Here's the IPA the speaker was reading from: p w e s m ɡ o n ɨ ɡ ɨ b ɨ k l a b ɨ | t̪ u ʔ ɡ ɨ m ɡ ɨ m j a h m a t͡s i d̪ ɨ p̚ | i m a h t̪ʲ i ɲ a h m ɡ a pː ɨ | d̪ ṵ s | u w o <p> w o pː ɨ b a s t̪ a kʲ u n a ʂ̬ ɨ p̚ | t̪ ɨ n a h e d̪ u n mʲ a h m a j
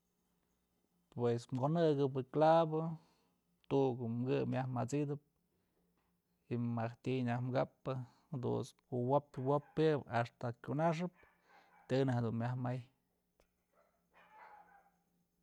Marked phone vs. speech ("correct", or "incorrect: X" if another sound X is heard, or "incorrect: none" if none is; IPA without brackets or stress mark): correct